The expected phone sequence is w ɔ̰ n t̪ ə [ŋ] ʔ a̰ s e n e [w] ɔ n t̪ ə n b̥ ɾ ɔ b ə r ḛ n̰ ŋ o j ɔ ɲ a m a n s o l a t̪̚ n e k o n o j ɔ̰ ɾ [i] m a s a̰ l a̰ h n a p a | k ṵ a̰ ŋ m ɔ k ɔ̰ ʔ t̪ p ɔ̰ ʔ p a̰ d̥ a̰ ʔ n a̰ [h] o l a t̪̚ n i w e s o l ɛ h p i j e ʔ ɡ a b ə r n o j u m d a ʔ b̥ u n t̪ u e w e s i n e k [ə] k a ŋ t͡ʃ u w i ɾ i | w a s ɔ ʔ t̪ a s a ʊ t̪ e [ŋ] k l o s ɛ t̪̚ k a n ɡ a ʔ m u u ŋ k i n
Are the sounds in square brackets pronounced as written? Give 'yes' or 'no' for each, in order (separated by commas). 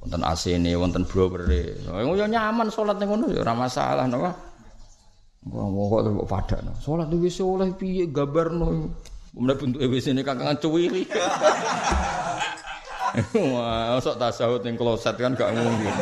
no, yes, no, no, no, yes